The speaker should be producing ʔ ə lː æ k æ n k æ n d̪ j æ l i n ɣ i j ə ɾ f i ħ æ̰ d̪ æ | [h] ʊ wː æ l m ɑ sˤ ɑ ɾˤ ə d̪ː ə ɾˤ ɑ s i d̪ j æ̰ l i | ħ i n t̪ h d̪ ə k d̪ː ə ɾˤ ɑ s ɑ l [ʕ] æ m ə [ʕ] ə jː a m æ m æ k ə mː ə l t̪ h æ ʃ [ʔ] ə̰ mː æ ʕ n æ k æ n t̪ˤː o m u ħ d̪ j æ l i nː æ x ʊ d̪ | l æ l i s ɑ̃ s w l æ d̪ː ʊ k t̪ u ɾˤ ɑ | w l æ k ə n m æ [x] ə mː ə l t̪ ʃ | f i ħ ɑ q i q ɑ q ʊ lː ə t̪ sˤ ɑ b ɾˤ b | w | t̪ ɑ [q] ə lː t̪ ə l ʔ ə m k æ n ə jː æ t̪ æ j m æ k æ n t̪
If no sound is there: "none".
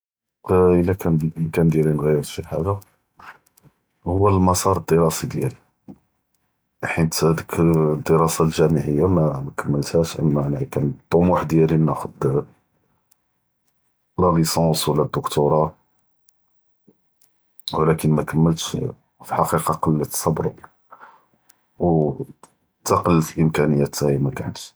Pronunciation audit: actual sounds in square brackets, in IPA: h, ʒ, ʕ, ʔ, k, q

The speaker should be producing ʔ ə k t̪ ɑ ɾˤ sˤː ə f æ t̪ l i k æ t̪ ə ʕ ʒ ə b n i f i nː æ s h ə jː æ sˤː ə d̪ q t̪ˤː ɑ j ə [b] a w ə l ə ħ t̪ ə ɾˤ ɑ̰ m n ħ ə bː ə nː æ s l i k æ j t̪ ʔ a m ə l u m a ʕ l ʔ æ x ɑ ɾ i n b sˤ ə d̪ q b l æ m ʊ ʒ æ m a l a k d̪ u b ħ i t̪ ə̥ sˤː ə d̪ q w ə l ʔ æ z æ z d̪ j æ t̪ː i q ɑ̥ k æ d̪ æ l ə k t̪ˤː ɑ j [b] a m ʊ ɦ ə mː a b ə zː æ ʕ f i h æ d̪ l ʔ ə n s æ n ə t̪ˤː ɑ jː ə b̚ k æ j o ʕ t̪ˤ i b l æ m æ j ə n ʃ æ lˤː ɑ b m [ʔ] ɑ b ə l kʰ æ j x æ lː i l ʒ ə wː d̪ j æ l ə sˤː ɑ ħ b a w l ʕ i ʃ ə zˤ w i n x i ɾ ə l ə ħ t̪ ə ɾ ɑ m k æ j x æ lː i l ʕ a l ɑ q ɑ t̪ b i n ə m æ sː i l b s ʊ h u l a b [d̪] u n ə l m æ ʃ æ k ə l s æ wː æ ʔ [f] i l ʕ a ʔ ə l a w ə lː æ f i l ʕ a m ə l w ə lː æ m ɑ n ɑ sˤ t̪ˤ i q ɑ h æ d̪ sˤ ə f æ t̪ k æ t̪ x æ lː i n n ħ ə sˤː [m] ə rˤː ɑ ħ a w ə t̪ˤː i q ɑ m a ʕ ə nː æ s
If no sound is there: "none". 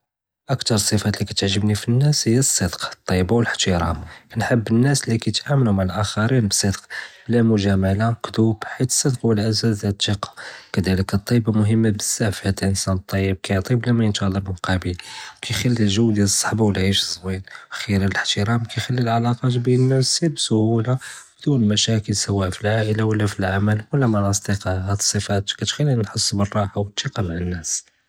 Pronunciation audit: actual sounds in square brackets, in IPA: b, b, q, d̪, f, b

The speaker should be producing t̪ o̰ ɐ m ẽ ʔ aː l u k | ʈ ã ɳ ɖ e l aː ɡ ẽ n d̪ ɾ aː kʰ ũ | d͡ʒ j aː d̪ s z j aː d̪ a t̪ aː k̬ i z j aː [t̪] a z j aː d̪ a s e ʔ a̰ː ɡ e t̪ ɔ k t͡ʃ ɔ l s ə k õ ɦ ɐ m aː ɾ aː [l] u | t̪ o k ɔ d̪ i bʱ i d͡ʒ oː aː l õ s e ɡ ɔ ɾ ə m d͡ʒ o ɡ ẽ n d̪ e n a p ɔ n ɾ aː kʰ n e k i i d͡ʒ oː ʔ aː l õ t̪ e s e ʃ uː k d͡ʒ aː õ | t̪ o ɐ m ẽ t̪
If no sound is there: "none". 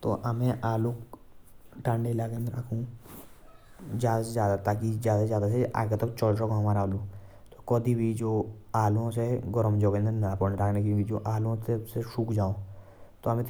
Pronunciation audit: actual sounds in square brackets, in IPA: d̪, l

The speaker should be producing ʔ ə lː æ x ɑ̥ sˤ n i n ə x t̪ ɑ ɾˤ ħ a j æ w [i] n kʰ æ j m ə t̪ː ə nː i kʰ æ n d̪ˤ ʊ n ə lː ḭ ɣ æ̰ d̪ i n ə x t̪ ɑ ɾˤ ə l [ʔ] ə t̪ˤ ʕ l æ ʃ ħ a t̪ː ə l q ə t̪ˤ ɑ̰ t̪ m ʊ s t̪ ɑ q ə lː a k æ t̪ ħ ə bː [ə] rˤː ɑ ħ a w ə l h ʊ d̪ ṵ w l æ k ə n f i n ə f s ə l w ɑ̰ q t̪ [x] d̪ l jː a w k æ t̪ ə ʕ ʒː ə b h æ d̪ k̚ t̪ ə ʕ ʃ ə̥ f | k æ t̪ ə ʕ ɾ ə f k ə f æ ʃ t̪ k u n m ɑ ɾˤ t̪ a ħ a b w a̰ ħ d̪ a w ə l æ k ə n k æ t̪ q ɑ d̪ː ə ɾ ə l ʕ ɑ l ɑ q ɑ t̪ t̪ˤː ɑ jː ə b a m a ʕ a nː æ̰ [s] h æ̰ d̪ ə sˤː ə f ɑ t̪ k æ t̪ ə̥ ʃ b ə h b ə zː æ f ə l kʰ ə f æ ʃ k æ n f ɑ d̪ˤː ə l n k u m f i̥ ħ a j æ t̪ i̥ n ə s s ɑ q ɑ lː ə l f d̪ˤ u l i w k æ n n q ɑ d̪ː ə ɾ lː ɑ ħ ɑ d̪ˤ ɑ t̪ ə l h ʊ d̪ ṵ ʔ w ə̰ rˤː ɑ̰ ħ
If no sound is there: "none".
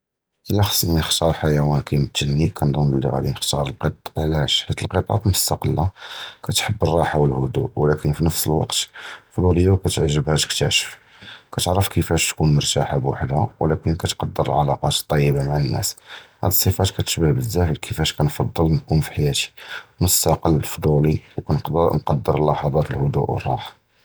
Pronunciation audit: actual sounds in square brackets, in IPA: æ, q, ə, f, s

